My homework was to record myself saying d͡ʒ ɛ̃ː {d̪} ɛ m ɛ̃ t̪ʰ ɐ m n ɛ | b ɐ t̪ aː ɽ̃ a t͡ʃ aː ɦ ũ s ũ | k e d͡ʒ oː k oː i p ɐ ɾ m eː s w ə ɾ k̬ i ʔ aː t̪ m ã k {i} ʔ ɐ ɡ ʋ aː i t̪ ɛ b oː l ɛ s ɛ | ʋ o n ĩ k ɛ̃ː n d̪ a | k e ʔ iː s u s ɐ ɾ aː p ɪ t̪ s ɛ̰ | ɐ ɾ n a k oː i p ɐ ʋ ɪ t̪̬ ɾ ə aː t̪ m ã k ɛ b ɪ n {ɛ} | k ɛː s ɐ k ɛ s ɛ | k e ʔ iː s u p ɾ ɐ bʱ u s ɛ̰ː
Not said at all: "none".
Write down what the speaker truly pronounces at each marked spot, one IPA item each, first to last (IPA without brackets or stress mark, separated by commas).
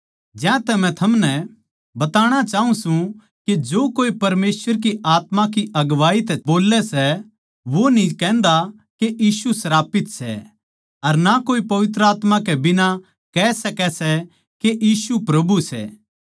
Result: t̪, i, a